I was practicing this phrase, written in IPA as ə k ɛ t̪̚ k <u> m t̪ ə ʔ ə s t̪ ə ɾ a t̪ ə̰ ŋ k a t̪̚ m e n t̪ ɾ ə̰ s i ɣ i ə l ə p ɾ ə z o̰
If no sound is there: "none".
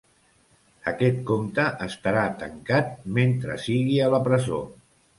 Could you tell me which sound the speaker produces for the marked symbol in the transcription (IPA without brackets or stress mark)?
o